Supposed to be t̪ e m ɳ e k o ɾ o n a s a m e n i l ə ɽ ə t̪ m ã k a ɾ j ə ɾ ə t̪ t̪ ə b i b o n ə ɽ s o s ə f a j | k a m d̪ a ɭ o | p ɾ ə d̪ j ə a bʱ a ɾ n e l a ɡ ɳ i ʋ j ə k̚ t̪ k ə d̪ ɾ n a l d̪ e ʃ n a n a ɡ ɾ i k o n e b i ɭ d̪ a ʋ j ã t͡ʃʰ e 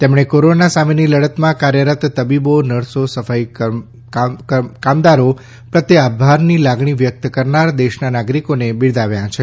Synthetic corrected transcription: t̪ e m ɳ e k o ɾ o n a s a m e n i l ə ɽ ə t̪ m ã k a ɾ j ə ɾ ə t̪ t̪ ə b i b o n ə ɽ s o s ə f a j | k a m d̪ a ɾ o | p ɾ ə t̪ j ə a bʱ a ɾ n i l a ɡ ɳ i ʋ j ə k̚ t̪ k ə ɾ n a ɾ d̪ e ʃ n a n a ɡ ɾ i k o n e b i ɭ d̪ a ʋ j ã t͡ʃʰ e

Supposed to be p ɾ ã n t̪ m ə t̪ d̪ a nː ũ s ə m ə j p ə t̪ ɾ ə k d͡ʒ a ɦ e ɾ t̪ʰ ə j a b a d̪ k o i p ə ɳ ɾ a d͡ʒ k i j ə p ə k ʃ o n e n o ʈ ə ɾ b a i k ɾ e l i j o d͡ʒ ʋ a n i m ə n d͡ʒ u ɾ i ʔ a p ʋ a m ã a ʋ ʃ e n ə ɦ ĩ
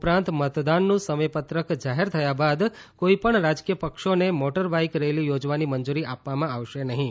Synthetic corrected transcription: p ɾ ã n t̪ m ə t̪ d̪ a nː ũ s ə m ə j p ə t̪ ɾ ə k d͡ʒ a ɦ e ɾ t̪ʰ ə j a b a d̪ k o i p ə ɳ ɾ a d͡ʒ k i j ə p ə k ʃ o n e m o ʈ ə ɾ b a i k ɾ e l i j o d͡ʒ ʋ a n i m ə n d͡ʒ u ɾ i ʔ a p ʋ a m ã a ʋ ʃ e n ə ɦ ĩ

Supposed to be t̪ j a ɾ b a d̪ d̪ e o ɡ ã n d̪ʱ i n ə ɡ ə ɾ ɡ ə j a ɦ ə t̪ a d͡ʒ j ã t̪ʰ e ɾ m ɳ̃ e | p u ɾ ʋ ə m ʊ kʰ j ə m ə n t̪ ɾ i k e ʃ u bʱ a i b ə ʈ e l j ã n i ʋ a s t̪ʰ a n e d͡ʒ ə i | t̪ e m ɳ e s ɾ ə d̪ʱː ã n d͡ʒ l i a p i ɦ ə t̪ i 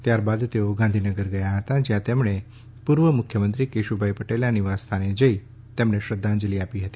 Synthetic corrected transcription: t̪ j a ɾ b a d̪ t̪ e o ɡ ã n d̪ʱ i n ə ɡ ə ɾ ɡ ə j a ɦ ə t̪ a d͡ʒ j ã t̪ e m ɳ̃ e | p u ɾ ʋ ə m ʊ kʰ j ə m ə n t̪ ɾ i k e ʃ u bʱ a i p ə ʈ e l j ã n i ʋ a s t̪ʰ a n e d͡ʒ ə i | t̪ e m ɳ e ʃ ɾ ə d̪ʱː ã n d͡ʒ l i a p i ɦ ə t̪ i

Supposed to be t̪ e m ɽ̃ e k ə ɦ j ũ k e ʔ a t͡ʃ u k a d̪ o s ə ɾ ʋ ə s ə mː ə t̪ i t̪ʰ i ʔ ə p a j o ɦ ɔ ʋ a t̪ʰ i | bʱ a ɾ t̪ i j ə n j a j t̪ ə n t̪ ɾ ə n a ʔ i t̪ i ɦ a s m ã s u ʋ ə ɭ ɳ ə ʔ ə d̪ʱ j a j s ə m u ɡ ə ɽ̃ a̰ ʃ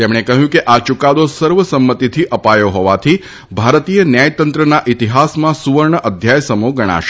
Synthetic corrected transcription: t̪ e m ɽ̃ e k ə ɦ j ũ k e ʔ a t͡ʃ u k a d̪ o s ə ɾ ʋ ə s ə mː ə t̪ i t̪ʰ i ʔ ə p a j o ɦ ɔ ʋ a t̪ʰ i | bʱ a ɾ t̪ i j ə n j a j t̪ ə n t̪ ɾ ə n a ʔ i t̪ i ɦ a s m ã s u ʋ ə ɾ ɳ ə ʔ ə d̪ʱ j a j s ə m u ɡ ə ɽ̃ a̰ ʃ

